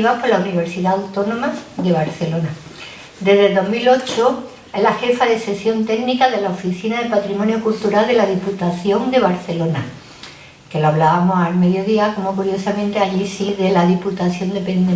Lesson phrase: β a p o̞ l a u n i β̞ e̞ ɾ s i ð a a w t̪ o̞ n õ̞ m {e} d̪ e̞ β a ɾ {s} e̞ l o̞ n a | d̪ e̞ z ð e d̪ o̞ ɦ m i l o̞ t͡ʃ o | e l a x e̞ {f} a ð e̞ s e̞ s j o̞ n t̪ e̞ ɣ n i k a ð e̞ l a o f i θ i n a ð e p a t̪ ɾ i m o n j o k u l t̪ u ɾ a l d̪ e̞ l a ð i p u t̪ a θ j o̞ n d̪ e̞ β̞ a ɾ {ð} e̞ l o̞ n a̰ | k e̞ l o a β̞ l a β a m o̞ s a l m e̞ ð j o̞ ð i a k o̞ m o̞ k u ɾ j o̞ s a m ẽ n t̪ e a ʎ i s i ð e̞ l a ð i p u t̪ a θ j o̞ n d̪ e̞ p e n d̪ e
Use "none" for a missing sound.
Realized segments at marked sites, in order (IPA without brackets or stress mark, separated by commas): a, θ, f, θ